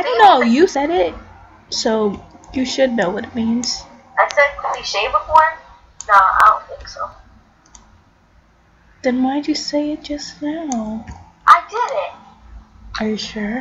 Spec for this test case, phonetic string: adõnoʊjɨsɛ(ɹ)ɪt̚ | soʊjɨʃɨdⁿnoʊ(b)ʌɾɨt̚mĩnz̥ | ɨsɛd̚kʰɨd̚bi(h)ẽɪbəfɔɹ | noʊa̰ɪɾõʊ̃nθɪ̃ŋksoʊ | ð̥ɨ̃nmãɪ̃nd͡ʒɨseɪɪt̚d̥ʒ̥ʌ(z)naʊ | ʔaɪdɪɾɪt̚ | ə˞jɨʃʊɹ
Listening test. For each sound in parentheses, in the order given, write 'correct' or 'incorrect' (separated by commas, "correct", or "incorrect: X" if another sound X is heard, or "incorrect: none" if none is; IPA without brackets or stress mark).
incorrect: ɾ, incorrect: w, incorrect: ʃ, incorrect: s